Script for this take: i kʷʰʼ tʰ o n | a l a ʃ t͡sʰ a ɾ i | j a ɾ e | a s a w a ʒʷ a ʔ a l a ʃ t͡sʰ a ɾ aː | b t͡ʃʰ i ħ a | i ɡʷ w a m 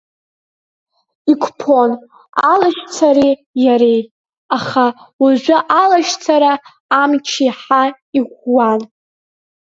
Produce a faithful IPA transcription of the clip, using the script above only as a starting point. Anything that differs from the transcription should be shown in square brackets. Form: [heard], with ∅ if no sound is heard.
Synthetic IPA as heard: i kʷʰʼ [pʰ] o n | a l a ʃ t͡sʰ a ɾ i | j a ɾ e | a [χ] a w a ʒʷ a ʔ a l a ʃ t͡sʰ a ɾ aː | [m] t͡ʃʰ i ħ a | i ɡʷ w a [n]